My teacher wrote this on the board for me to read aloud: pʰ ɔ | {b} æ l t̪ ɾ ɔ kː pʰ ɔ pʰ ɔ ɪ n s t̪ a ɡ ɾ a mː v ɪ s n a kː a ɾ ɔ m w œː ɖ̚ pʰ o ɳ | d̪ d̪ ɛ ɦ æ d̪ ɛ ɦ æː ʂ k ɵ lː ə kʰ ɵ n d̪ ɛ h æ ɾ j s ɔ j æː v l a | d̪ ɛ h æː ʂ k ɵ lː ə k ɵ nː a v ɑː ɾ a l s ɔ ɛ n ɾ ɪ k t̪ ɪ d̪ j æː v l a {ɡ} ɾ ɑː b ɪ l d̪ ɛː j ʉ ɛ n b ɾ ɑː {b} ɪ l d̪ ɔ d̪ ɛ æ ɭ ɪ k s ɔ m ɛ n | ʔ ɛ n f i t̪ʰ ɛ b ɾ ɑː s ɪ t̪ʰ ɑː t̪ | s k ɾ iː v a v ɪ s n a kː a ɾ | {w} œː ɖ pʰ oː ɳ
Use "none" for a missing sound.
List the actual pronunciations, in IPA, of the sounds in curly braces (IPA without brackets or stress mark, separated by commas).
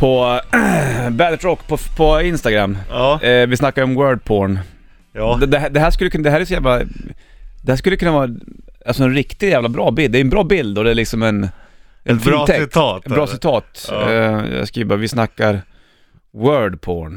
b, b, b, w